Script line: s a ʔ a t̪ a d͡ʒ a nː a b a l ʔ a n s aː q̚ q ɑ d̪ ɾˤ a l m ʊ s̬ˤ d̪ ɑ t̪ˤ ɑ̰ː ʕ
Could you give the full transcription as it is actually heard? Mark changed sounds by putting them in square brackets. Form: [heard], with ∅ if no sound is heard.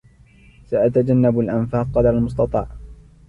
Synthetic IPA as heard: s a ʔ a t̪ a d͡ʒ a nː a b a l ʔ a n [f] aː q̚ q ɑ d̪ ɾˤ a l m ʊ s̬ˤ [t̪] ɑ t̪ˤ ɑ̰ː ʕ